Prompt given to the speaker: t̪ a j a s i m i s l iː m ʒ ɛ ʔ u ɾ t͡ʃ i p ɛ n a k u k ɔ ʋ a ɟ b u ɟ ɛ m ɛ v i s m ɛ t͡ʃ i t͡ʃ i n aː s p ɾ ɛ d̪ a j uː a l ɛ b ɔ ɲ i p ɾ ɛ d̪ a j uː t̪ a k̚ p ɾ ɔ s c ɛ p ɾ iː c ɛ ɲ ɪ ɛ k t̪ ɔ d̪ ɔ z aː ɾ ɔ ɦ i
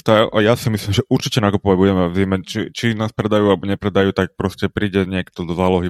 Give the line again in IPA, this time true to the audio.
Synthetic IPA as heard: t̪ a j a s i m i s l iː m ʒ ɛ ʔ u ɾ t͡ʃ i c ɛ n a k u p ɔ ʋ a ɟ b u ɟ ɛ m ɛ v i m ɛ t͡ʃ i t͡ʃ i n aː s p ɾ ɛ d̪ a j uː a l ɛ b ɔ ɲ ɛ p ɾ ɛ d̪ a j uː t̪ a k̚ p ɾ ɔ s c ɛ p ɾ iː ɟ ɛ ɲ ɪ ɛ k t̪ ɔ d̪ ɔ z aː l ɔ ɦ i